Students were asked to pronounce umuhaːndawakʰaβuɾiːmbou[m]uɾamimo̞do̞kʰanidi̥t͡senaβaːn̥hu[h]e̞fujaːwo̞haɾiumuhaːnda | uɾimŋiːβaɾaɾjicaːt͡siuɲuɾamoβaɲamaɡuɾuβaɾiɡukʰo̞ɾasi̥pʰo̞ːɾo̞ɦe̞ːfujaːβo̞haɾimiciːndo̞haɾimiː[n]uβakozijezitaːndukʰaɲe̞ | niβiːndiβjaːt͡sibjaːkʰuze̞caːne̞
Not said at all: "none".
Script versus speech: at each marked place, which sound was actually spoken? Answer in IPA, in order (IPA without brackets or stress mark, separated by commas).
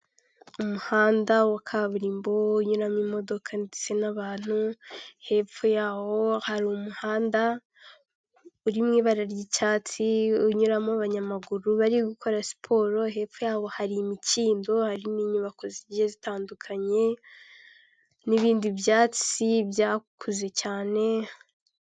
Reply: ɲ, h, ɲ